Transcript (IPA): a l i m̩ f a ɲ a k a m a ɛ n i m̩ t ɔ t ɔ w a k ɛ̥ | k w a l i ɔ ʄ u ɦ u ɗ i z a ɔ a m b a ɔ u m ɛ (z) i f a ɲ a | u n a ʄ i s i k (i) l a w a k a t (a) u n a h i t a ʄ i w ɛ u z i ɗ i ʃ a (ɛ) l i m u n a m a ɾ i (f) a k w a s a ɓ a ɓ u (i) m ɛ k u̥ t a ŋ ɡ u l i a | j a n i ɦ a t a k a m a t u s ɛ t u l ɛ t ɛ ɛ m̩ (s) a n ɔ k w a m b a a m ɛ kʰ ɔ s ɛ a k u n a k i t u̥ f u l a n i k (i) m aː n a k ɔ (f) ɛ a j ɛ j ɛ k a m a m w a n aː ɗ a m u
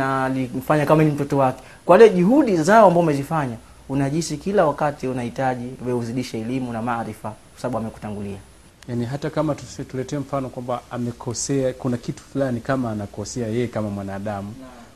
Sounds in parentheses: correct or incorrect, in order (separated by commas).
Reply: correct, correct, incorrect, correct, correct, incorrect, incorrect, incorrect, incorrect